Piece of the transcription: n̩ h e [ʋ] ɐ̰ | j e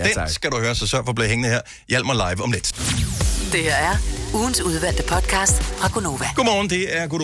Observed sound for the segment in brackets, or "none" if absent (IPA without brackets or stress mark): none